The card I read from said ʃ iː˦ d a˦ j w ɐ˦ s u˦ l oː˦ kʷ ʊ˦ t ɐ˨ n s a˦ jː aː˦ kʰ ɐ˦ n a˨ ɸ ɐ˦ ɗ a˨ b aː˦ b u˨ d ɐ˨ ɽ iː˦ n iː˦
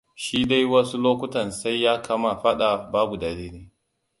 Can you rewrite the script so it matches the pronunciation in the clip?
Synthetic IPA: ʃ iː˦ d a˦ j w ɐ˦ s u˦ l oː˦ kʷ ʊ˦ t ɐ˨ n s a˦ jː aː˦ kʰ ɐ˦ m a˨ ɸ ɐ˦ ɗ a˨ b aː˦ b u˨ d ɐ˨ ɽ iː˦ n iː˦